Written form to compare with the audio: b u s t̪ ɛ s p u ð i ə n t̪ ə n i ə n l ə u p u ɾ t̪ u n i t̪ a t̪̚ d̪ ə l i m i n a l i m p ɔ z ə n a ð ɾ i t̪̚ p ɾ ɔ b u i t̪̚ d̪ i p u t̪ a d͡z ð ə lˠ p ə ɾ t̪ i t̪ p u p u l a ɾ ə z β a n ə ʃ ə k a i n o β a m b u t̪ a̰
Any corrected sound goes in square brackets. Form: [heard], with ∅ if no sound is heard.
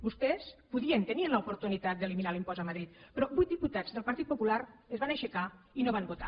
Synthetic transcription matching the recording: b u s t̪ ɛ s p u ð i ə n t̪ ə n i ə n l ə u p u ɾ t̪ u n i t̪ a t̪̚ d̪ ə l i m i n a l i m p ɔ z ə [m] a ð ɾ i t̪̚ p ɾ ɔ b u [j] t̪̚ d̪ i p u t̪ a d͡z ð ə lˠ p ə ɾ t̪ i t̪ p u p u l a ɾ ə z β a n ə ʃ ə k a i n o β a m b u t̪ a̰